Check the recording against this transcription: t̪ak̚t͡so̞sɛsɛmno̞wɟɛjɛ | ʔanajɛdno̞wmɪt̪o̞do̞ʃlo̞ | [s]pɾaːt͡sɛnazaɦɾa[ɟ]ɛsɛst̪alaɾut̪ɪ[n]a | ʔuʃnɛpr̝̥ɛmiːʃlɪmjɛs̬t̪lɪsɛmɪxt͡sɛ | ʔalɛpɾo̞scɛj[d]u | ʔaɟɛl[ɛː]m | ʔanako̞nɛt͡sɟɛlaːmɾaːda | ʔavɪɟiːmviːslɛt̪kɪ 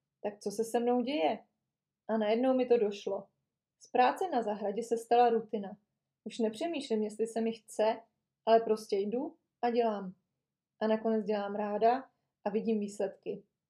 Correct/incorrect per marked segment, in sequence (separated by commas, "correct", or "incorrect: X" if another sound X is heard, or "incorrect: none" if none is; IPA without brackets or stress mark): correct, correct, correct, correct, incorrect: aː